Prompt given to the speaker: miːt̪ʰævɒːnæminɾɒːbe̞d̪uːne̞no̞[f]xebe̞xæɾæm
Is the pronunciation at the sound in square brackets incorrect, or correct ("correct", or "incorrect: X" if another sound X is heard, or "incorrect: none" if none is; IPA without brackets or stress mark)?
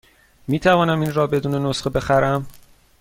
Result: incorrect: s